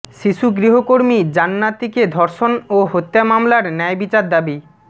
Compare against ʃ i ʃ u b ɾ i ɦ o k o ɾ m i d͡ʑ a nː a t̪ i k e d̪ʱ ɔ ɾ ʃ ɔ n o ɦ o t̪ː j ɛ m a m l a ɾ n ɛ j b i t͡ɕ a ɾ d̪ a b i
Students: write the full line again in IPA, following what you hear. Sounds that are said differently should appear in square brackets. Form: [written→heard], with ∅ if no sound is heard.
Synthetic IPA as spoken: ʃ i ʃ u [b→ɡ] ɾ i ɦ o k o ɾ m i d͡ʑ a nː a t̪ i k e d̪ʱ ɔ ɾ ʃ [ɔ→o] n o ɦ o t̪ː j [ɛ→a] m a m l a ɾ n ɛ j b i t͡ɕ a ɾ d̪ a b i